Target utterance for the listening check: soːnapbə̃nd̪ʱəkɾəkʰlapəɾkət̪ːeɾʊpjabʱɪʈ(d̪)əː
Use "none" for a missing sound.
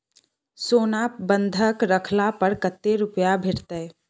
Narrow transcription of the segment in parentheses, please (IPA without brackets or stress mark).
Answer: t̪